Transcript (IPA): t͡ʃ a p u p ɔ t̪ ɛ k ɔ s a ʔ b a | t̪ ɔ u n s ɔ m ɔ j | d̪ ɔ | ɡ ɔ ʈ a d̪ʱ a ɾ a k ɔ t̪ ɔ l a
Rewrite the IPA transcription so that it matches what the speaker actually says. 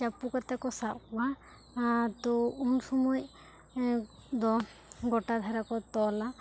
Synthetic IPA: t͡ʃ a p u k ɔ t̪ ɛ k ɔ s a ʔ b a | t̪ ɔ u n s ɔ m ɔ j | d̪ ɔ | ɡ ɔ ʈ a d̪ʱ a ɾ a k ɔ t̪ ɔ l a